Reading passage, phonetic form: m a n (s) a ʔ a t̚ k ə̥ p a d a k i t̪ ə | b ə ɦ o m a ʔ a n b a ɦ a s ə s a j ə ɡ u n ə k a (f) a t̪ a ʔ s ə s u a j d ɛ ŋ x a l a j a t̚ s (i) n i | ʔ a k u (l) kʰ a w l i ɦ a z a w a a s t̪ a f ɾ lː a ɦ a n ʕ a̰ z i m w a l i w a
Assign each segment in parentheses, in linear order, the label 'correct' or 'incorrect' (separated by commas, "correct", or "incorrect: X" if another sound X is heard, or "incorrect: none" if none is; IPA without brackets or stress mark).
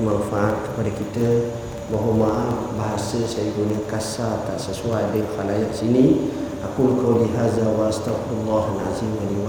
incorrect: f, incorrect: s, correct, correct